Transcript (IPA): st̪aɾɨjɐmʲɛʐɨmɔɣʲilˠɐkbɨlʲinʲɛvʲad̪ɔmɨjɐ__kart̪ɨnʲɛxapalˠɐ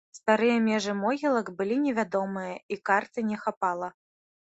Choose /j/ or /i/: i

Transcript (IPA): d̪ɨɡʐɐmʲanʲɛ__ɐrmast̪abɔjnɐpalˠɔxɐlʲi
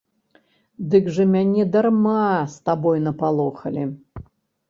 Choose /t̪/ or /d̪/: d̪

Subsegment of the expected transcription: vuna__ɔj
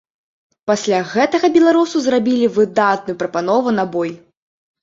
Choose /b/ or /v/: b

